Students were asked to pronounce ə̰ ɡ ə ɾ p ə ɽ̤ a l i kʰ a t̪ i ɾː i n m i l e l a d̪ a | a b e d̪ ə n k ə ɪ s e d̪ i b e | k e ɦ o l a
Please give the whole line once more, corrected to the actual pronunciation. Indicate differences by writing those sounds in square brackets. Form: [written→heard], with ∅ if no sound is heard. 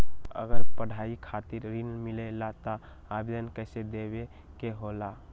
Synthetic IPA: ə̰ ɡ ə ɾ p ə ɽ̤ a [l→∅] i kʰ a t̪ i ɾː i n m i l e l a [d̪→t̪] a | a b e d̪ ə n k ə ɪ s e d̪ [i→e] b e | k e ɦ o l a